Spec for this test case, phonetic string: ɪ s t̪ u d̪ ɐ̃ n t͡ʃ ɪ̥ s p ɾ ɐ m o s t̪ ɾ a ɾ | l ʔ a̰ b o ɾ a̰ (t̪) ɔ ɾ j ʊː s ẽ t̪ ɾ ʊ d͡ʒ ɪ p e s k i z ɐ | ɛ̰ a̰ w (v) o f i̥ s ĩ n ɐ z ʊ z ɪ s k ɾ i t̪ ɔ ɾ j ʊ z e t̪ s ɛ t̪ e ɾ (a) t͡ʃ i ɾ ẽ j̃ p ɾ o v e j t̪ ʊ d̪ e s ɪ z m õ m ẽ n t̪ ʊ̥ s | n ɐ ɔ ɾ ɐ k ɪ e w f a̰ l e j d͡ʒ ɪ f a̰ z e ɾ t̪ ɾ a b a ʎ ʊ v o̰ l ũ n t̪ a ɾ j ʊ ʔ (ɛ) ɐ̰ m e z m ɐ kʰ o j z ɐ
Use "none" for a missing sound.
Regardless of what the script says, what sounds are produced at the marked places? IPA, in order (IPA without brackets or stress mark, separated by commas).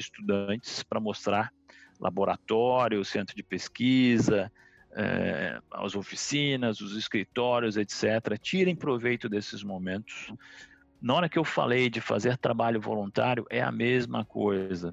t̪, z, ɐ, ɛ